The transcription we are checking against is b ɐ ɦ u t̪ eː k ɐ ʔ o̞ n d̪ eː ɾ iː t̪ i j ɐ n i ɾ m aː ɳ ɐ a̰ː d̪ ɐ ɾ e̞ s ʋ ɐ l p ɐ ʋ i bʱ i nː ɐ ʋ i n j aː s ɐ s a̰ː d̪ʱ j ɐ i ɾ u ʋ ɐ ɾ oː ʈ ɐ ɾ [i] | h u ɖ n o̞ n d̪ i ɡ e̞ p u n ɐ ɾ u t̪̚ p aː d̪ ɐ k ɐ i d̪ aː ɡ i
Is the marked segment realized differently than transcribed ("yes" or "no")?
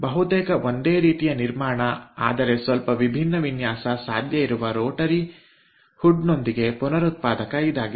no